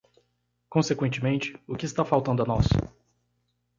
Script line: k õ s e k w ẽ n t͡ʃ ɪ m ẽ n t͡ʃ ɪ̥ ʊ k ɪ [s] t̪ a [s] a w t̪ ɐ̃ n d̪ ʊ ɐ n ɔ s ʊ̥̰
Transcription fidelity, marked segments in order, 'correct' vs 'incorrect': correct, incorrect

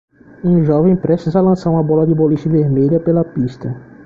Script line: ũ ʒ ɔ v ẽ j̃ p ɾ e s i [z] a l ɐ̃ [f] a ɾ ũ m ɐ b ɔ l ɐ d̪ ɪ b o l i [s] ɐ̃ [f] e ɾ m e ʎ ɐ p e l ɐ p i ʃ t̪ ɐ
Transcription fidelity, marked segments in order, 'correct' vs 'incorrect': correct, incorrect, incorrect, incorrect

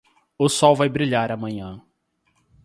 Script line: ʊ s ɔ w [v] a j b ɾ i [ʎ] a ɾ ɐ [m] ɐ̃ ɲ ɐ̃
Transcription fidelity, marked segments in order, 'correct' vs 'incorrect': correct, correct, correct

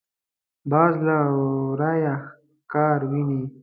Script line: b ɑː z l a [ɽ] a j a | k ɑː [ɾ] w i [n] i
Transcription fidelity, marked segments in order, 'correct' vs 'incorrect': incorrect, correct, correct

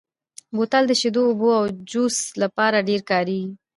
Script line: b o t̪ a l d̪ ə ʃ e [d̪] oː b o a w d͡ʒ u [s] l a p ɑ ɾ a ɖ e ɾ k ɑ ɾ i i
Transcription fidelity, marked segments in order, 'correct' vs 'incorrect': correct, correct

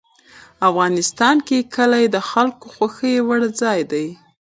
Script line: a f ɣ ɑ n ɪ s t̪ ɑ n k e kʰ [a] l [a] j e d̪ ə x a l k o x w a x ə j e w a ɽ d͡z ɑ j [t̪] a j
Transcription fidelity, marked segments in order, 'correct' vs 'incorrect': incorrect, correct, incorrect

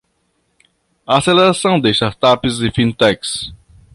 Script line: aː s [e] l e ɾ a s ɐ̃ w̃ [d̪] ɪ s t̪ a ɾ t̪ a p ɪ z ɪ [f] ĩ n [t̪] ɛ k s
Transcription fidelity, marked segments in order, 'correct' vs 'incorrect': correct, correct, correct, correct

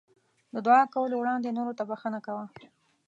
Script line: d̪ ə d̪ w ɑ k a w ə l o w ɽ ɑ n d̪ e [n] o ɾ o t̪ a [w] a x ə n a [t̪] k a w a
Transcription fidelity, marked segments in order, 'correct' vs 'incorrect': correct, incorrect, incorrect

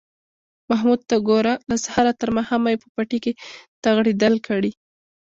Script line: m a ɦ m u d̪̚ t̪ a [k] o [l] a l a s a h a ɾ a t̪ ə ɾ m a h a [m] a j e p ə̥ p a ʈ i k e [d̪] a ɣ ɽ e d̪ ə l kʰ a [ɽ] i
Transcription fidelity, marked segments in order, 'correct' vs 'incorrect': incorrect, incorrect, correct, incorrect, correct

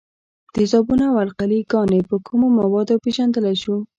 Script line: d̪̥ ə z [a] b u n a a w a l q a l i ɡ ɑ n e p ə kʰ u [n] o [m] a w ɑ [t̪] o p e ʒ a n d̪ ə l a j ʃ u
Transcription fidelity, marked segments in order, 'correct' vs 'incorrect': incorrect, incorrect, correct, incorrect

